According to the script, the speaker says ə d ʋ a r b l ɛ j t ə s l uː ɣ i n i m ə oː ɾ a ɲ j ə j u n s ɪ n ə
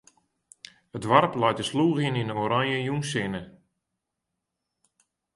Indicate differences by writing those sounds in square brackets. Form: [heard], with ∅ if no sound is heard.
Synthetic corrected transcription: ə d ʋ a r [p] l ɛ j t ə s l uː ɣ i n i [n] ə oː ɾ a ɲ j ə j u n s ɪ n ə

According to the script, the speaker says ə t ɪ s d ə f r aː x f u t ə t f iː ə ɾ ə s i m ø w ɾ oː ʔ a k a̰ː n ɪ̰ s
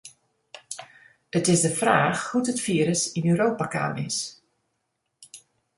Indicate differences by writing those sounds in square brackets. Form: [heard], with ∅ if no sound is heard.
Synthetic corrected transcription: ə t ɪ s d ə f r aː x [h] u t ə t f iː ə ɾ ə s i [n] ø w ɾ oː [p] a k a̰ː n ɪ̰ s

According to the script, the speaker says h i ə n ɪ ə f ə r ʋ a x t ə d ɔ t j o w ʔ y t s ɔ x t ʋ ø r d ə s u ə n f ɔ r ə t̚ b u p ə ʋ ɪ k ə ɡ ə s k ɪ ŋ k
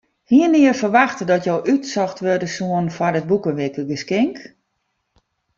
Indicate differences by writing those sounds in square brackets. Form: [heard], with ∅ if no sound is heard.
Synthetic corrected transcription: h i ə n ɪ ə f ə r ʋ a x t ə d ɔ t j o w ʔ y t s ɔ x t ʋ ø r d ə s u ə n f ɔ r ə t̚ b u [k] ə ʋ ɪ k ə ɡ ə s k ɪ ŋ k

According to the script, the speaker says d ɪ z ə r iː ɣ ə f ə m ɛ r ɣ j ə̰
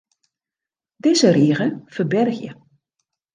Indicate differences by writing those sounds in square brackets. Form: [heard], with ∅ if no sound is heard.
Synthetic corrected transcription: d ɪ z ə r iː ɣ ə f ə [b] ɛ r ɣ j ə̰

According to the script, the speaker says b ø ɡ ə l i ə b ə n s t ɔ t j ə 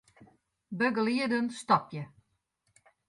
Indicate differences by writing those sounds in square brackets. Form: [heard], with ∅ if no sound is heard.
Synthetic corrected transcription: b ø ɡ ə l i ə [d] ə n s t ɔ [p] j ə

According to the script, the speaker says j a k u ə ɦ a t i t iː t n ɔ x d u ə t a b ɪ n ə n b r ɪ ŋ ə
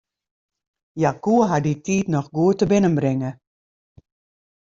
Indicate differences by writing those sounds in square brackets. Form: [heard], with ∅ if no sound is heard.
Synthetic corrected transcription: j a k u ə ɦ a [d] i t iː t n ɔ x [ɡ] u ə t [ə] b ɪ n ə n b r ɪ ŋ ə

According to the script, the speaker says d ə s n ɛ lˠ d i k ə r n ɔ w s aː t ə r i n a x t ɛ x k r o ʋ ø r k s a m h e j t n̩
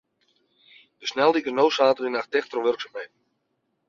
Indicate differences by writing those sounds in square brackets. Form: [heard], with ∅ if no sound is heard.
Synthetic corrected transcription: d ə s n ɛ lˠ d i k ə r n [o] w s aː t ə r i n a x t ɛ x [t] r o ʋ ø r k s a m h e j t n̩

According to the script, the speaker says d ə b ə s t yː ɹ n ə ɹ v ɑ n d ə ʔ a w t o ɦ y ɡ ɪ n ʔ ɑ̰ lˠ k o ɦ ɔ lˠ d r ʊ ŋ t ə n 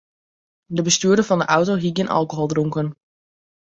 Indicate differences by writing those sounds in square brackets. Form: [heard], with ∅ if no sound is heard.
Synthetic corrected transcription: d ə b ə s t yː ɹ [d] ə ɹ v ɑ n d ə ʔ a w t o ɦ [i] ɡ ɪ n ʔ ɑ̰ lˠ k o ɦ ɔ lˠ d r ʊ ŋ [k] ə n

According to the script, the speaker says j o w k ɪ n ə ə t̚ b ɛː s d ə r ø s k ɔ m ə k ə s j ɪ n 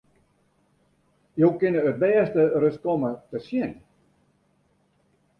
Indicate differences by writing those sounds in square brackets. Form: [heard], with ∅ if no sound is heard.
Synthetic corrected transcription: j o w k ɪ n ə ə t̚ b ɛː s [t] ə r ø s k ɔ m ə [t] ə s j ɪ n

